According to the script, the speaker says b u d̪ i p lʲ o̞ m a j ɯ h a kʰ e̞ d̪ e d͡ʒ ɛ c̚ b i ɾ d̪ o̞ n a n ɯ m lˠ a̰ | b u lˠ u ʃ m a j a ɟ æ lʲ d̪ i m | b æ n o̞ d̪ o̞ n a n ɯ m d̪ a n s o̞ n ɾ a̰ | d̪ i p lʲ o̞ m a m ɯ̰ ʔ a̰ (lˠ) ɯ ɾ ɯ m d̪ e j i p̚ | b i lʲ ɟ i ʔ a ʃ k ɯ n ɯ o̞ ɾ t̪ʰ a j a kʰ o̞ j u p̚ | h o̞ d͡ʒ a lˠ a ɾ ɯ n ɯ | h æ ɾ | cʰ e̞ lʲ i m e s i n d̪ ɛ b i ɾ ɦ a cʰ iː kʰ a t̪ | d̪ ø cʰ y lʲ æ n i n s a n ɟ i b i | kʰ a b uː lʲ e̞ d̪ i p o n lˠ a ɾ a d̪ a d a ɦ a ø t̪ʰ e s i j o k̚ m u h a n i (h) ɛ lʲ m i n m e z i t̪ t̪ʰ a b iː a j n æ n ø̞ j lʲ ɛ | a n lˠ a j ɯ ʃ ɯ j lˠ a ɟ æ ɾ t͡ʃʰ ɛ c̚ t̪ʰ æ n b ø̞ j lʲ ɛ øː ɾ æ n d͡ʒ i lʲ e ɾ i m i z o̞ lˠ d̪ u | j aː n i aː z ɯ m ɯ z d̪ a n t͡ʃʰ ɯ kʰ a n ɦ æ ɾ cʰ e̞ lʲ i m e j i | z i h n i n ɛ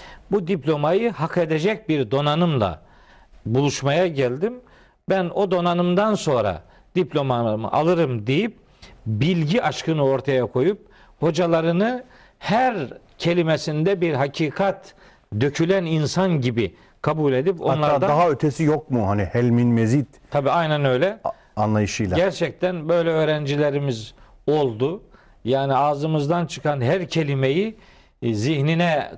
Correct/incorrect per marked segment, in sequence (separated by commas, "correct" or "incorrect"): correct, correct